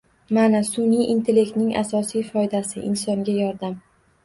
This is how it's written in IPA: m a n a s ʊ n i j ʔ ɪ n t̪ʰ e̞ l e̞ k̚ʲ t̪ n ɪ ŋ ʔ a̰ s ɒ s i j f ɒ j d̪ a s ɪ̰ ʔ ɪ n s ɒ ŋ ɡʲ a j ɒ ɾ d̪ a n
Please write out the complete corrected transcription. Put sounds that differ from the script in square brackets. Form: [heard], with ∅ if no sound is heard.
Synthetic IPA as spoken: m a n a s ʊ n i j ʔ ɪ n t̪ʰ e̞ l e̞ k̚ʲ t̪ n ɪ ŋ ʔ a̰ s ɒ s i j f ɒ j d̪ a s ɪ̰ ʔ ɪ n s ɒ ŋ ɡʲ a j ɒ ɾ d̪ a [m]